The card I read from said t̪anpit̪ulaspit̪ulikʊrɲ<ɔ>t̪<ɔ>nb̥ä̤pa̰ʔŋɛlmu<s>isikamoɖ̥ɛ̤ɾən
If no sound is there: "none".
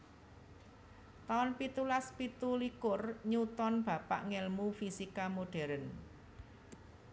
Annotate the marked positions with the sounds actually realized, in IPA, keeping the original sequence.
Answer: u, ɔ, f

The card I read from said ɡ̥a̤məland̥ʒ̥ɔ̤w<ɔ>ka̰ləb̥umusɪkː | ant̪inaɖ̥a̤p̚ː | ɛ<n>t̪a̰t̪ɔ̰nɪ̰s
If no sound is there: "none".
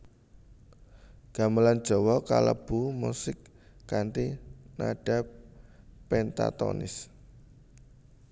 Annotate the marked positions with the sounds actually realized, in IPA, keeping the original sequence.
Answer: ɔ, n

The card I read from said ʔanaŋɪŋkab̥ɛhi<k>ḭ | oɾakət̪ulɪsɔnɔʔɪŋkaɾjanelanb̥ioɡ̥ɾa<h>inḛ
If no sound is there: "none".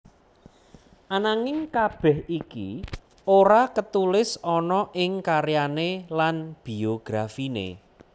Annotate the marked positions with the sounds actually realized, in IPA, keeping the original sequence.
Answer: k, f

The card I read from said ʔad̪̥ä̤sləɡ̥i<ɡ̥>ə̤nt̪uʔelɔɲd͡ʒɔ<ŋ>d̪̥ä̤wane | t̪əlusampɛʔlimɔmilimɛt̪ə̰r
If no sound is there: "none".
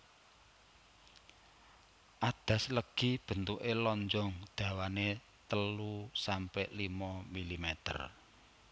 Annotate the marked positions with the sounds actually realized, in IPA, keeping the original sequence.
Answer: b̥, ŋ

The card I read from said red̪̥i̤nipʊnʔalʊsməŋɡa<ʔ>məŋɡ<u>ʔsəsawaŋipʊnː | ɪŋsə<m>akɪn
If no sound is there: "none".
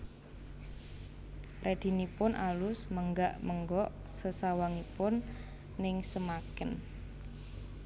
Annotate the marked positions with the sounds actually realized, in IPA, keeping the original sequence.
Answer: ʔ, ɔ, m

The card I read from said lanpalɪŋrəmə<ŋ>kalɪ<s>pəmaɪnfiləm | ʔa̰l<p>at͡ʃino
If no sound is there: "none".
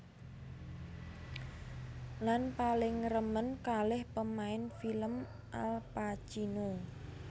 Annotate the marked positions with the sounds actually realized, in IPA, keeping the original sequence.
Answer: n, h, p

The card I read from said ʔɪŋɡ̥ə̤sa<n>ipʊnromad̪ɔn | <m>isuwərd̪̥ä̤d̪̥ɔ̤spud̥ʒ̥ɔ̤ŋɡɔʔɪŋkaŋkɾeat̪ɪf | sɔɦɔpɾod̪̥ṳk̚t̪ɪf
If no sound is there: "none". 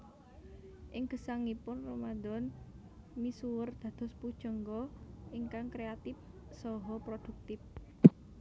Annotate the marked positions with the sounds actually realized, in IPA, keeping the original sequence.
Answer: ŋ, m

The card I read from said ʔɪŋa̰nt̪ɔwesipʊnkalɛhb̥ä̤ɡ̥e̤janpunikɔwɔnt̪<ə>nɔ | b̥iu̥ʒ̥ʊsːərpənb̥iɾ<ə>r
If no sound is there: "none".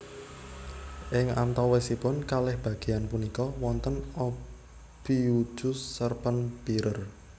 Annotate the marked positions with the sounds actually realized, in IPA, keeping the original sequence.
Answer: ə, ə

